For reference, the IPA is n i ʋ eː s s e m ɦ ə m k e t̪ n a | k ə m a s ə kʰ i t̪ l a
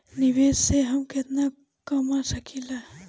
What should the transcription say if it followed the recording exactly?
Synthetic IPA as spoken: n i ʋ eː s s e ɦ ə m k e t̪ n a | k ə m a s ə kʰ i l a